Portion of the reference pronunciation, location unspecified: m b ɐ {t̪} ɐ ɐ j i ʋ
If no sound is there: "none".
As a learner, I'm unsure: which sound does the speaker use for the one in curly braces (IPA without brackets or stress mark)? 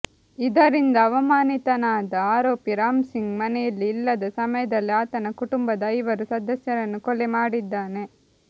d̪